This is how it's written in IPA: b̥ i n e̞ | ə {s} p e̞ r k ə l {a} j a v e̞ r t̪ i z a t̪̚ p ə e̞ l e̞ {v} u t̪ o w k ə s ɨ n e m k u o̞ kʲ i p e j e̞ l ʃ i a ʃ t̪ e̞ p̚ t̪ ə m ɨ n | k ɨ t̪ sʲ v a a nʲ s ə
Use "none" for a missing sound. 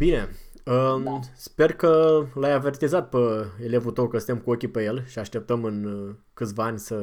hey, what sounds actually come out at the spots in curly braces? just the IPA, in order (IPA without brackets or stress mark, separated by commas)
s, a, v